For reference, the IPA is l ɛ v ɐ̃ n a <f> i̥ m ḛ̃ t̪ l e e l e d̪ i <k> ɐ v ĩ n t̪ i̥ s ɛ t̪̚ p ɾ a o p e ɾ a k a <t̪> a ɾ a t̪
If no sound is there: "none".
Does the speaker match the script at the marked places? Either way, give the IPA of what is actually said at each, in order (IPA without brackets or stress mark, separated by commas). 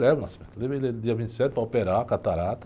s, none, t̪